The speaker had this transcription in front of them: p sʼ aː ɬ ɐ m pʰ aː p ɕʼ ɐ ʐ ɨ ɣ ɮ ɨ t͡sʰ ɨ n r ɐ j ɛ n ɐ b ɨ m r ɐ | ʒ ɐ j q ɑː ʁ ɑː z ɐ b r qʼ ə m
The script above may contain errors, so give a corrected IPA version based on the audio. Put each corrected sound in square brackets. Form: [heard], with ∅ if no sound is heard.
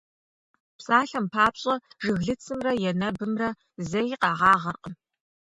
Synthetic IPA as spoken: p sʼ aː ɬ ɐ m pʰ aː p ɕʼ ɐ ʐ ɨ ɣ ɮ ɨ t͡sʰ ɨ [m] r ɐ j ɛ n ɐ b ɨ m r ɐ | [z] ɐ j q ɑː ʁ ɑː [ʁ] ɐ [∅] r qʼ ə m